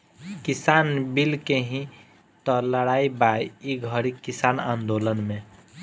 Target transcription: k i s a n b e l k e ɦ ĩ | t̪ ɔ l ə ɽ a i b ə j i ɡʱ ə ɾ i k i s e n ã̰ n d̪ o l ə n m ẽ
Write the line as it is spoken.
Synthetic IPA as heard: k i s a n b i l k e ɦ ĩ | t̪ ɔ l ə ɽ a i b a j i ɡʱ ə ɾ i k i s a n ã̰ n d̪ o l ə n m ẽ